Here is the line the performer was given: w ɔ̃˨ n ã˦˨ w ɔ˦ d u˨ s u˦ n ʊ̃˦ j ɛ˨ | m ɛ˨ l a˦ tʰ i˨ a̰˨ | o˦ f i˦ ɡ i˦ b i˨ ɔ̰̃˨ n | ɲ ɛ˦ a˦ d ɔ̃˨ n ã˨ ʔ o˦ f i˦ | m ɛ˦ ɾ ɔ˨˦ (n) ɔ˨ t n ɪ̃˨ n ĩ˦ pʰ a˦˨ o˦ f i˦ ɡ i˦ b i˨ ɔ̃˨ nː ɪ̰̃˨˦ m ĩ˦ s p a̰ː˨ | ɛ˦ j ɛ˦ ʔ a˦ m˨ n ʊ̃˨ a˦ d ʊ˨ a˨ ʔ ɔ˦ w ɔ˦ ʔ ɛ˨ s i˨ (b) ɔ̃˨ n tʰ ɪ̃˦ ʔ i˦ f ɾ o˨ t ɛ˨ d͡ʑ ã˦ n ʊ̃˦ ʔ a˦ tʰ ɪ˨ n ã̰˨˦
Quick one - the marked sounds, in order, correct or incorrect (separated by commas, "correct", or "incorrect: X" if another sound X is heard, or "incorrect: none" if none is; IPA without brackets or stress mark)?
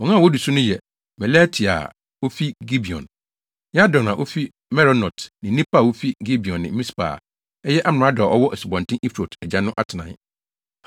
correct, correct